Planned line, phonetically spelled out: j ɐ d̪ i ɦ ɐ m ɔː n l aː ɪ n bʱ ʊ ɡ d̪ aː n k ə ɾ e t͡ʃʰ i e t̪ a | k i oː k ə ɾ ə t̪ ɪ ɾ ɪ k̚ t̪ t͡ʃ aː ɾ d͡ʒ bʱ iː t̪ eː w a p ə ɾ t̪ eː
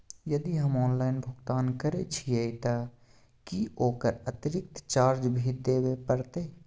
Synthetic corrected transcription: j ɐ d̪ i ɦ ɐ m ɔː n l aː ɪ n bʱ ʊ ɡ t̪ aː n k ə ɾ e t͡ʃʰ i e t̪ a | k i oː k ə ɾ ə t̪ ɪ ɾ ɪ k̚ t̪ t͡ʃ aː ɾ d͡ʒ bʱ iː d̪ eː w e p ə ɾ t̪ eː